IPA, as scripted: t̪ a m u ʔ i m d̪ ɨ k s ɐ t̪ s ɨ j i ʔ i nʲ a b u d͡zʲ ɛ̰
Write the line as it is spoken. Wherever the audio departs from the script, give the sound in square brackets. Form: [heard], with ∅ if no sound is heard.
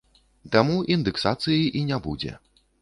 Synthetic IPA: t̪ a m u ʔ i [n] d̪ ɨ k s [a] t̪ s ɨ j i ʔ i nʲ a b u d͡zʲ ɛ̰